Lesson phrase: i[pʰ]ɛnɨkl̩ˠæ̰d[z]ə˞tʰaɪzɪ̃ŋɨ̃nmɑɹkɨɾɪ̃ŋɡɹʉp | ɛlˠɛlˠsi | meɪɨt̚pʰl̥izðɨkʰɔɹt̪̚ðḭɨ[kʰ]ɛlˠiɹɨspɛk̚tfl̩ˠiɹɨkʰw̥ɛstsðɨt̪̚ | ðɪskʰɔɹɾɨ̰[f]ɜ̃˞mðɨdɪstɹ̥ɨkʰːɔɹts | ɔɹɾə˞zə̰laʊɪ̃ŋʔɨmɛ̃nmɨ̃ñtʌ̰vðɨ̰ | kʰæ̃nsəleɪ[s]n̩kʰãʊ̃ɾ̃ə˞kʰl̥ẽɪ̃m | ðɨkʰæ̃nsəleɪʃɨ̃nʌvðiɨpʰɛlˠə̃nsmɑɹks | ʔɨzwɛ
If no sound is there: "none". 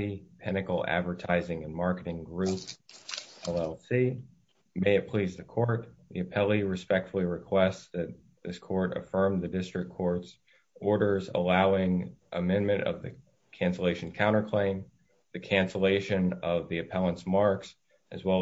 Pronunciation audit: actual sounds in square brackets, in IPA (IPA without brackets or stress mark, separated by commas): pʰ, v, pʰ, f, ʃ